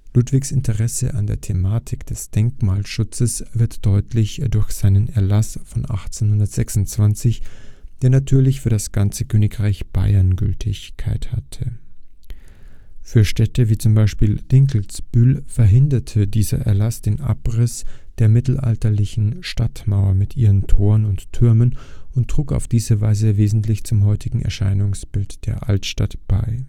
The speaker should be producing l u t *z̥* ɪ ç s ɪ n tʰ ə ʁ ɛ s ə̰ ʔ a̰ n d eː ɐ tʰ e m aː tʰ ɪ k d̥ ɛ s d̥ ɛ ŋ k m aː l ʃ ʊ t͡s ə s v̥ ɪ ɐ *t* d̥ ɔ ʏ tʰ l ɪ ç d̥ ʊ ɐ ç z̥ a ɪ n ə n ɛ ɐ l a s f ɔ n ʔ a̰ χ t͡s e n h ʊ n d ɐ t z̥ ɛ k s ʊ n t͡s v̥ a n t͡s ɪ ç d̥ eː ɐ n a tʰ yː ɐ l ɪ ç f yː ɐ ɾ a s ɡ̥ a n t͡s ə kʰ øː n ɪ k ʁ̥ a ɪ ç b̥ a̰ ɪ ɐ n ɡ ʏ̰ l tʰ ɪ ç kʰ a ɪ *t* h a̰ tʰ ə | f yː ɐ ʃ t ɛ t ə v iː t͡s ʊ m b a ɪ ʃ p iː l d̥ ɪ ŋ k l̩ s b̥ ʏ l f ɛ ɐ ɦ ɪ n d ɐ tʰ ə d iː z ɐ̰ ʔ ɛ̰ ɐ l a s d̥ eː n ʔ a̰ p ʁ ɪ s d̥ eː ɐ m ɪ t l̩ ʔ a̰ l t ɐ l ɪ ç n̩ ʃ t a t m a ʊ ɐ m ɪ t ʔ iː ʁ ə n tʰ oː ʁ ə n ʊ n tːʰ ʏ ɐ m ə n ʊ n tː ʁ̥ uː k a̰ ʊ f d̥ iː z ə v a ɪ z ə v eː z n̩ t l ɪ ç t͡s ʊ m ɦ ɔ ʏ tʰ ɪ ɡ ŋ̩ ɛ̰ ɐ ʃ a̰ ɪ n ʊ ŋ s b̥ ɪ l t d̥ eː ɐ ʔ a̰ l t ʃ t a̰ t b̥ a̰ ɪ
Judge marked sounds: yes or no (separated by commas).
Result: no, yes, yes